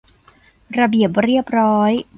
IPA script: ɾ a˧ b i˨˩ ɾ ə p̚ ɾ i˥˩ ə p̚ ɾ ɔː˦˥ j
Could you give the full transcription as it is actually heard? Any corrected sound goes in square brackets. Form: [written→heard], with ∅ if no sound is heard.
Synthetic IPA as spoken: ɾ a˧ b i˨˩ [ɾ→∅] ə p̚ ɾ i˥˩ ə p̚ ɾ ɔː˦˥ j